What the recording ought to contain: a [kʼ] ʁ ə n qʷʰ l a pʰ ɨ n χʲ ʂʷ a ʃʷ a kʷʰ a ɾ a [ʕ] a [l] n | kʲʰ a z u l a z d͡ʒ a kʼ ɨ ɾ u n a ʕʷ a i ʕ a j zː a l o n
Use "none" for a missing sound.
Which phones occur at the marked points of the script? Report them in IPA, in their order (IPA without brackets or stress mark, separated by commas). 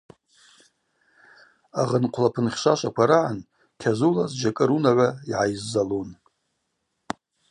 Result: none, ʕ, none